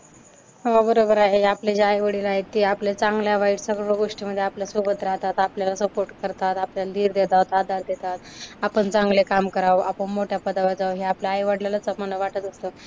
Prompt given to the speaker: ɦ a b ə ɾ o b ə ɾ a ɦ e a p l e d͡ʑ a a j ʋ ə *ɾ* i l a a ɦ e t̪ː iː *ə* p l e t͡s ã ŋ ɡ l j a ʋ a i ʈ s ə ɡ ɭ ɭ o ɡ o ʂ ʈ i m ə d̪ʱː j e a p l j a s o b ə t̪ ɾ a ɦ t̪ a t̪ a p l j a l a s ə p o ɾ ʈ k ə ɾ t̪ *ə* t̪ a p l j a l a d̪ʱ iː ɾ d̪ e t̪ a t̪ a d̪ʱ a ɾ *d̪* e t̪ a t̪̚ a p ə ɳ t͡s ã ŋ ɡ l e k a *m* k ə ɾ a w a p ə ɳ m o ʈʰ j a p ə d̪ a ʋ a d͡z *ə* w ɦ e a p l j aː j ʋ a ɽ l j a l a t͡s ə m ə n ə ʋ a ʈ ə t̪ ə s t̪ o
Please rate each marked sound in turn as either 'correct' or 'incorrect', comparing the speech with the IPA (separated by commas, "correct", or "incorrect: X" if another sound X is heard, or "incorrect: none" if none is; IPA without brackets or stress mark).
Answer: incorrect: ɽ, incorrect: a, incorrect: a, correct, correct, incorrect: a